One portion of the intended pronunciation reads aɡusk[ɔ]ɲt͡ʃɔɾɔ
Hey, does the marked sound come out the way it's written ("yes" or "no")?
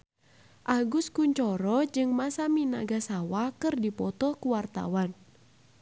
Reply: no